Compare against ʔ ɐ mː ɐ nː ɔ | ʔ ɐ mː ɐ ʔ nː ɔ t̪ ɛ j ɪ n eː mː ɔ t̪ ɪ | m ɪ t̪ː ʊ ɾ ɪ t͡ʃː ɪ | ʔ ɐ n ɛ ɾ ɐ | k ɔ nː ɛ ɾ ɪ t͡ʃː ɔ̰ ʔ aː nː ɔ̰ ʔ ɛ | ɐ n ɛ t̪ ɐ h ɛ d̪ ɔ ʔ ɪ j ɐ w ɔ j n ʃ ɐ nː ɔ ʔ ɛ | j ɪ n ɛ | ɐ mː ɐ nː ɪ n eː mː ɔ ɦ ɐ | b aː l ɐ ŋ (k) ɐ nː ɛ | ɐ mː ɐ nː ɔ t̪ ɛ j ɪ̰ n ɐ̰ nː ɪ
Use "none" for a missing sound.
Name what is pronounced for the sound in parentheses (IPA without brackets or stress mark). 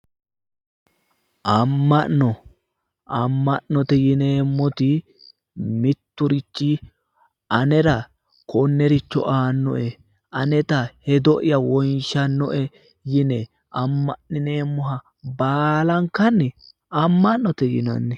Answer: k